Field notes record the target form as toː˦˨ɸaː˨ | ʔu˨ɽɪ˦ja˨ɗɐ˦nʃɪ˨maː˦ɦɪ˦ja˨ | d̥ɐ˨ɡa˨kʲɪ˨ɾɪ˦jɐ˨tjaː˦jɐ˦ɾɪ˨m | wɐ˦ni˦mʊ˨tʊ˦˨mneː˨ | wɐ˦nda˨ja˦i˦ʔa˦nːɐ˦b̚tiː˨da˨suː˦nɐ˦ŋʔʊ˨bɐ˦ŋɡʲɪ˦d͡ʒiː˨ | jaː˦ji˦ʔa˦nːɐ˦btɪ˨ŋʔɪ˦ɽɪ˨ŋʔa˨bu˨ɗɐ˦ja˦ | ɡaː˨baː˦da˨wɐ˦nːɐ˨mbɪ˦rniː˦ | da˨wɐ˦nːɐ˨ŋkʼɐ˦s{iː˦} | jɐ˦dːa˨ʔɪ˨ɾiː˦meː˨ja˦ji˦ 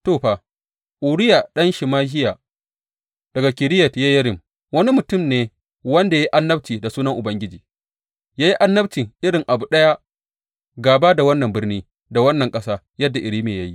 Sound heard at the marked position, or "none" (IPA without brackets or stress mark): aː˦